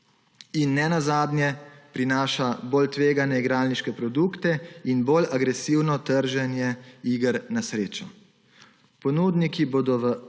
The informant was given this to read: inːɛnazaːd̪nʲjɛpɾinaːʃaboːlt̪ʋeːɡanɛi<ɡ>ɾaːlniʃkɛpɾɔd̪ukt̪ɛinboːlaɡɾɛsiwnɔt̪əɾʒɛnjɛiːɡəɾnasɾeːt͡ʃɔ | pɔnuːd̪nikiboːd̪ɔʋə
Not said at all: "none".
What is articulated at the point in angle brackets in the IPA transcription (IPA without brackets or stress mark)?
ɡ